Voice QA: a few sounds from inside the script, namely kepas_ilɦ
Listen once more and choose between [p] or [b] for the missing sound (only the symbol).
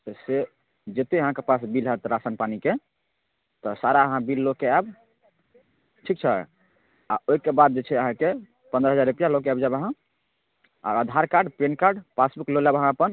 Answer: b